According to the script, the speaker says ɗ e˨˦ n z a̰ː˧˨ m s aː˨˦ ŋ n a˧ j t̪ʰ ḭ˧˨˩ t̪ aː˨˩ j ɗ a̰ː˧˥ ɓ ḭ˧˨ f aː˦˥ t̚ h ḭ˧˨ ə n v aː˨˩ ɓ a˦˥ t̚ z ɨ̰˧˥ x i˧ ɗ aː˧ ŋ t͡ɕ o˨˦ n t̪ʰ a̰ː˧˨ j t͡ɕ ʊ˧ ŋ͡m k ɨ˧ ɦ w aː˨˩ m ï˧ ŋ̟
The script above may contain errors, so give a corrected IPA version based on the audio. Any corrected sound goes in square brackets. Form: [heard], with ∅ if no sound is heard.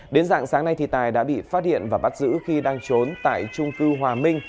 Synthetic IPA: ɗ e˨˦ n z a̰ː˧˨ [ŋ] s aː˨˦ ŋ n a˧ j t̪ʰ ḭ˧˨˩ t̪ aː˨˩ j ɗ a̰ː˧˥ ɓ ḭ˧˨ f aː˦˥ t̚ h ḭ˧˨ ə n v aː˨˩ ɓ a˦˥ t̚ z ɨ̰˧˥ x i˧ ɗ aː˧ ŋ t͡ɕ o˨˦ n [t̪] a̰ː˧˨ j t͡ɕ ʊ˧ ŋ͡m k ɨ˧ ɦ w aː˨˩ m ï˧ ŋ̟